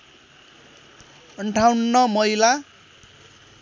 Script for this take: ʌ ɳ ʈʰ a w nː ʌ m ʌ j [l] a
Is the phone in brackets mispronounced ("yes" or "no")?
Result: no